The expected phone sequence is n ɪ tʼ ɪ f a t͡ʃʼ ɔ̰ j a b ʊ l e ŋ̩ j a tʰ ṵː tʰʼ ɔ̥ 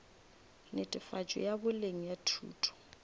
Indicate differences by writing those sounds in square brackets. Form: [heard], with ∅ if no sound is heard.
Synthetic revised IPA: n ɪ tʼ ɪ f a t͡ʃʼ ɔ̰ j a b ʊ l e ŋ̩ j a tʰ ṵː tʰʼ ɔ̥